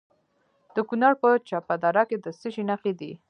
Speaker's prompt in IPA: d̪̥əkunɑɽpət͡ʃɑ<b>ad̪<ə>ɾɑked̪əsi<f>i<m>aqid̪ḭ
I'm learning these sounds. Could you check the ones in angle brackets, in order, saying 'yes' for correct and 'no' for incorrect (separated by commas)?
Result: no, no, no, no